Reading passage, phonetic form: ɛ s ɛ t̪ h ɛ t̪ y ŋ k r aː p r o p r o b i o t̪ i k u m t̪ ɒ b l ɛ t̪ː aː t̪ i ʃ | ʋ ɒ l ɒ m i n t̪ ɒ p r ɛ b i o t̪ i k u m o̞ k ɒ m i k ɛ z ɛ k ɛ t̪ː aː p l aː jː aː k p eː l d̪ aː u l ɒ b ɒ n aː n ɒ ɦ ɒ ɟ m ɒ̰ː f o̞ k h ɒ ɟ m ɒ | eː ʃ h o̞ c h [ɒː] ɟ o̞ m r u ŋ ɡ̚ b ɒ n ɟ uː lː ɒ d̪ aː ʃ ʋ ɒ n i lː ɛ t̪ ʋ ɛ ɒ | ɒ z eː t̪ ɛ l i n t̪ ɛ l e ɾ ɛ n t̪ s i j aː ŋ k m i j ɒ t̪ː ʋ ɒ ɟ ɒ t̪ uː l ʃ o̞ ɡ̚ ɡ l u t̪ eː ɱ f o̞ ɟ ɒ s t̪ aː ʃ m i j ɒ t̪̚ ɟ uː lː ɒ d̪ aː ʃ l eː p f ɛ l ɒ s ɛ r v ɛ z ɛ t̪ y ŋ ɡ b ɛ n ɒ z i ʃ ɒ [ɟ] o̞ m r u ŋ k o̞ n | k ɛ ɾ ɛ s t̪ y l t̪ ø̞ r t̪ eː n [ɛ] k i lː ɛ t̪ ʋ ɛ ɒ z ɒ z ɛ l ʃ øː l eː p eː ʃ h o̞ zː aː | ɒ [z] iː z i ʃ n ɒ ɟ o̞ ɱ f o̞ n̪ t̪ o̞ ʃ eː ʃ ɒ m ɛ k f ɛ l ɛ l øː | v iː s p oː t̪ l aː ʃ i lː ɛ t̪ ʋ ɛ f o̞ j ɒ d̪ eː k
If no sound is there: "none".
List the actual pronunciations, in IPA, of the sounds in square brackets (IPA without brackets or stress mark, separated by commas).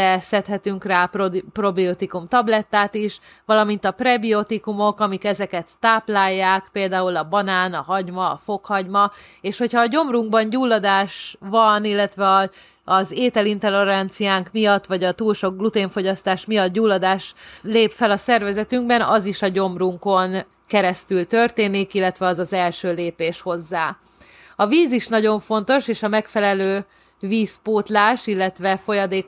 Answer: ɒː, ɟ, i, v